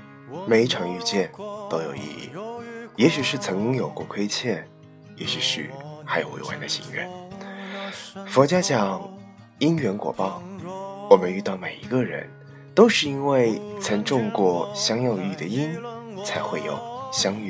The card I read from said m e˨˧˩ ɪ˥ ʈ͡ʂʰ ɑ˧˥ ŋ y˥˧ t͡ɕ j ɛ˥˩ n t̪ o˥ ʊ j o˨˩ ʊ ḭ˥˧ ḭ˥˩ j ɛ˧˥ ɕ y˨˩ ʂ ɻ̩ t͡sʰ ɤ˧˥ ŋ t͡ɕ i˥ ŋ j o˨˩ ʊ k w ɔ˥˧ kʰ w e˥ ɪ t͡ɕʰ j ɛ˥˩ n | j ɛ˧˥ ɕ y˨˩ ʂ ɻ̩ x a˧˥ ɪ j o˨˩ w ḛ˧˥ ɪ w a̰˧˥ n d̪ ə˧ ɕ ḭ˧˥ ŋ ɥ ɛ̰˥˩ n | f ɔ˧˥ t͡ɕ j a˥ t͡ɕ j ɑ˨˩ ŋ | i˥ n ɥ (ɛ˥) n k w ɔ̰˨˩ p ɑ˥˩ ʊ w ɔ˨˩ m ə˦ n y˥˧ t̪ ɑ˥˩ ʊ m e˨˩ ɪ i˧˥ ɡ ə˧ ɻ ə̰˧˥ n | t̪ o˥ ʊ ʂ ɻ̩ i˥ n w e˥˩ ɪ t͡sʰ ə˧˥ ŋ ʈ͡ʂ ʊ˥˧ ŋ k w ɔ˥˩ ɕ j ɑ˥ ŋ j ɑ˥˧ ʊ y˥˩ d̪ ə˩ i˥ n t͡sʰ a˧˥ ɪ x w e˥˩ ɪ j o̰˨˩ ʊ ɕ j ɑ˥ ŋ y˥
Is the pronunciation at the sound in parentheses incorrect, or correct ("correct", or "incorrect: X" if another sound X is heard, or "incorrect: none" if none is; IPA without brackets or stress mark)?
incorrect: ɛ˧˥